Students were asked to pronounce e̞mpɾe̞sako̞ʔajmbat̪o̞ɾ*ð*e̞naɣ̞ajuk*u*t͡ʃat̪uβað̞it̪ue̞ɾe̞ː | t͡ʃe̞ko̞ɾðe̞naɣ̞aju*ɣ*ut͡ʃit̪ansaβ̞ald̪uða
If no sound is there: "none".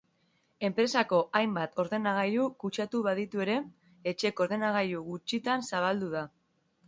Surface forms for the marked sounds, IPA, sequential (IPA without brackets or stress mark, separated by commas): ð, u, ɣ